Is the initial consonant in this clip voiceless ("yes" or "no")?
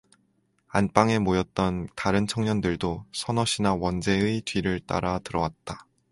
no